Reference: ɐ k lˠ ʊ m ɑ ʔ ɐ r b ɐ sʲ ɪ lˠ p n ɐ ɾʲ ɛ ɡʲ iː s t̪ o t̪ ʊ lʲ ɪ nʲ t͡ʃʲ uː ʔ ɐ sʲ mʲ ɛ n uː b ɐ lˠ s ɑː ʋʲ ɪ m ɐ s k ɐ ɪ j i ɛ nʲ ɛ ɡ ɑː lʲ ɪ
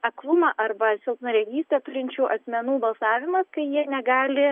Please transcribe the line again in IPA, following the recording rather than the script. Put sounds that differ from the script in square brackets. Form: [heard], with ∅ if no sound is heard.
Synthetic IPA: ɐ k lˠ ʊ m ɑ ʔ ɐ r b ɐ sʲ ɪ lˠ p n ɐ ɾʲ ɛ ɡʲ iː s t̪ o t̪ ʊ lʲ ɪ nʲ t͡ʃʲ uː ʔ ɐ sʲ mʲ ɛ n uː b ɐ lˠ s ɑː ʋʲ ɪ m ɐ s k ɐ ɪ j i ɛ nʲ ɛ ɡ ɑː lʲ ɪ

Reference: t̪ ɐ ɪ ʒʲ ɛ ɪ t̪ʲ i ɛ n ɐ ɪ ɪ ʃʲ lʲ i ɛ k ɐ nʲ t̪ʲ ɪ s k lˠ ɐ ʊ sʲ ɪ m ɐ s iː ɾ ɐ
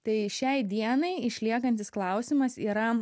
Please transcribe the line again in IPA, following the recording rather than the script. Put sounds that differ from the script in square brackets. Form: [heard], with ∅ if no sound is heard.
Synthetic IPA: t̪ ɐ ɪ [ʃʲ] ɛ ɪ [d̪ʲ] i ɛ n ɐ ɪ ɪ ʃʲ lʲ i ɛ k ɐ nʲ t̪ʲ ɪ s k lˠ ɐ ʊ sʲ ɪ m ɐ s iː ɾ ɐ

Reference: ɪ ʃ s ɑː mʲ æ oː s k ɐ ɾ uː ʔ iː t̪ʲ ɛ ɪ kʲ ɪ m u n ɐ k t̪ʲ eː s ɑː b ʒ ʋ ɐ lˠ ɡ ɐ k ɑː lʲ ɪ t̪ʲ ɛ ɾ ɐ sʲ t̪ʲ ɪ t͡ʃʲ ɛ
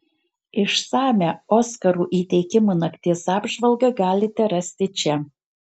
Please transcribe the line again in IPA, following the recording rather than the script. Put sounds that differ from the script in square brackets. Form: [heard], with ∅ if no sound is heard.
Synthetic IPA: ɪ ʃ s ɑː mʲ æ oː s k ɐ ɾ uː ʔ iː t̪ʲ ɛ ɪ kʲ ɪ m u n ɐ k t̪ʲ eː s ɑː b ʒ ʋ ɐ lˠ ɡ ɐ [ɡ] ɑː lʲ ɪ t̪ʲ ɛ ɾ ɐ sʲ t̪ʲ ɪ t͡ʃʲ ɛ

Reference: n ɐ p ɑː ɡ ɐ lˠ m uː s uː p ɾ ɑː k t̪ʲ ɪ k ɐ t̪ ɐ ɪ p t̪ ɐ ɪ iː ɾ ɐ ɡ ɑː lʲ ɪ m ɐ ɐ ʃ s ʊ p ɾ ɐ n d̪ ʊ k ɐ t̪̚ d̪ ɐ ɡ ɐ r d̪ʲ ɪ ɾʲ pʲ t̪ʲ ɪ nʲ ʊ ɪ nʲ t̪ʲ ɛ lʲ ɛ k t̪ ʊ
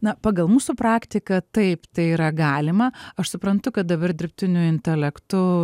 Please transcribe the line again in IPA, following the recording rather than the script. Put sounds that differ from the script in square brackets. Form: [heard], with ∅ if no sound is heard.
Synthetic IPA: n ɐ p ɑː ɡ ɐ lˠ m uː s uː p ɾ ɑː k t̪ʲ ɪ k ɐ t̪ ɐ ɪ p t̪ ɐ ɪ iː ɾ ɐ ɡ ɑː lʲ ɪ m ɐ ɐ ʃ s ʊ p ɾ ɐ n [t̪] ʊ k ɐ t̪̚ d̪ ɐ [b] ɐ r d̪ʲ ɪ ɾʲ pʲ t̪ʲ ɪ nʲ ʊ ɪ nʲ t̪ʲ ɛ lʲ ɛ k t̪ ʊ

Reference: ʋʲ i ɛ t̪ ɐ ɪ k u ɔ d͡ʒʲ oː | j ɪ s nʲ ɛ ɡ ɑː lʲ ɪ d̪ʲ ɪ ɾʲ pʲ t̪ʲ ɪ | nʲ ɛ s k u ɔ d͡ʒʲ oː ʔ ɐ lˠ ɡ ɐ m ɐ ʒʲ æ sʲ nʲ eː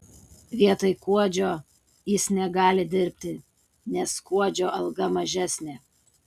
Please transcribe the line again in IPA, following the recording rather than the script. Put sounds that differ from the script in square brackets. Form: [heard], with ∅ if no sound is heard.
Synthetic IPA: ʋʲ i ɛ t̪ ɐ ɪ k u ɔ d͡ʒʲ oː | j ɪ s nʲ ɛ ɡ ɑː lʲ ɪ d̪ʲ ɪ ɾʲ pʲ t̪ʲ ɪ | nʲ ɛ s k u ɔ d͡ʒʲ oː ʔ ɐ lˠ ɡ ɐ m ɐ ʒʲ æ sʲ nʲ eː

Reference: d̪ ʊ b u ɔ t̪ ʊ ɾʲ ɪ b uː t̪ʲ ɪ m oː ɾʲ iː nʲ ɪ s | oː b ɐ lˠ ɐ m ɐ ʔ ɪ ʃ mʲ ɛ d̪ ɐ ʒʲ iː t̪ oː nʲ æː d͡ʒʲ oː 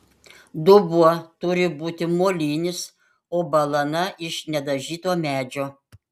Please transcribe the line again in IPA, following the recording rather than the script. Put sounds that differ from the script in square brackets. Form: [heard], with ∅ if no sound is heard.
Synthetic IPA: d̪ ʊ b u ɔ t̪ ʊ ɾʲ ɪ b uː t̪ʲ ɪ m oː [lʲ] iː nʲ ɪ s | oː b ɐ lˠ ɐ [n] ɐ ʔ ɪ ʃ [nʲ] ɛ d̪ ɐ ʒʲ iː t̪ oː [mʲ] æː d͡ʒʲ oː

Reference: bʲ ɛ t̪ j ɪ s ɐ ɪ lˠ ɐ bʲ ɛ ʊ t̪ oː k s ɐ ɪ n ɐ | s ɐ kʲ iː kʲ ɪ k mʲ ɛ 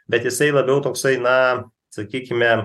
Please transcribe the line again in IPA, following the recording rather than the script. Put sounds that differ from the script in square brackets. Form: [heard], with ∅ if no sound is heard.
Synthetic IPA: bʲ ɛ t̪ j ɪ s ɐ ɪ lˠ ɐ bʲ ɛ ʊ t̪ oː k s ɐ ɪ n ɐ | s ɐ kʲ iː kʲ ɪ [∅] mʲ ɛ

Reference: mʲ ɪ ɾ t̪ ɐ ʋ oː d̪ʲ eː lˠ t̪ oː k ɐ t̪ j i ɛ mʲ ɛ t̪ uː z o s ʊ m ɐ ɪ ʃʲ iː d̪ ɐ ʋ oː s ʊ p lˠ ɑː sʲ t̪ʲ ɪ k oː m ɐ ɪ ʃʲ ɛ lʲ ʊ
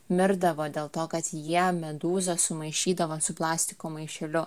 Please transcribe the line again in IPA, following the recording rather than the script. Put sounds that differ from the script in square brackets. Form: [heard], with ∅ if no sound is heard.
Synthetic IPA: mʲ ɪ ɾ [d̪] ɐ ʋ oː d̪ʲ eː lˠ t̪ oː k ɐ t̪ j i ɛ mʲ ɛ [d̪] uː z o s ʊ m ɐ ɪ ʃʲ iː d̪ ɐ ʋ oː s ʊ p lˠ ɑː sʲ t̪ʲ ɪ k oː m ɐ ɪ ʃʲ ɛ lʲ ʊ

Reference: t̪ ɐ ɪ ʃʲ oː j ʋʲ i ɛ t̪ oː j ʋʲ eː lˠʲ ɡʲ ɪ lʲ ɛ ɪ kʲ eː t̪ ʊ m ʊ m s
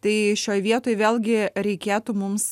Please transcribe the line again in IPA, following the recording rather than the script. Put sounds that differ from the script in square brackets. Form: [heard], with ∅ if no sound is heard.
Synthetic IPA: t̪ ɐ ɪ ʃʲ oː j ʋʲ i ɛ t̪ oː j ʋʲ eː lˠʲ ɡʲ ɪ [ɾʲ] ɛ ɪ kʲ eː t̪ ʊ m ʊ m s

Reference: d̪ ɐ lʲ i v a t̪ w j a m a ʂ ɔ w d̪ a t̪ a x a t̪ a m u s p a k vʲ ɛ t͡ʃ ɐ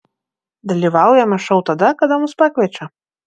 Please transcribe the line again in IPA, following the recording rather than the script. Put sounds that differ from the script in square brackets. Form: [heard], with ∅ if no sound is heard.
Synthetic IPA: d̪ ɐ lʲ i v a [∅] w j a m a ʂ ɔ w [t̪] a [d̪] a [k] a [d̪] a m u s p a k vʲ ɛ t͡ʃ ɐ

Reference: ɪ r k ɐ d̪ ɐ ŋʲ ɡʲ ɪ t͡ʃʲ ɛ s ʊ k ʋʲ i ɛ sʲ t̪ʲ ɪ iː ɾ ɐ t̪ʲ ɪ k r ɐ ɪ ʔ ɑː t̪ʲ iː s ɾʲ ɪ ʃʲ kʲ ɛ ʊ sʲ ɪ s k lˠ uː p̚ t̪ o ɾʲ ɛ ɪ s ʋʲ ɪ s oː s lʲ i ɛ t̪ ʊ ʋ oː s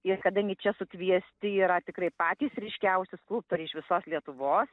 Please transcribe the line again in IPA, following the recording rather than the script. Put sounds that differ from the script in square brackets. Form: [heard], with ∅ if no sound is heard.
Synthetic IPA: ɪ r k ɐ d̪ ɐ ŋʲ ɡʲ ɪ t͡ʃʲ ɛ s ʊ k ʋʲ i ɛ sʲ t̪ʲ ɪ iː ɾ ɐ t̪ʲ ɪ k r ɐ ɪ [p] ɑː t̪ʲ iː s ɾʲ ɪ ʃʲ kʲ ɛ ʊ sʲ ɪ s k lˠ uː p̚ t̪ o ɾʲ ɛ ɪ [ʃ] ʋʲ ɪ s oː s lʲ i ɛ t̪ ʊ ʋ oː s

